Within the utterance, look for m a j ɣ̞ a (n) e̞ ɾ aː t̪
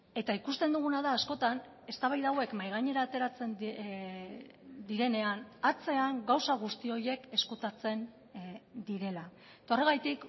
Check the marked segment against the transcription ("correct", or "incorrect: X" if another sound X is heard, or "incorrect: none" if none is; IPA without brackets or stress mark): incorrect: ɲ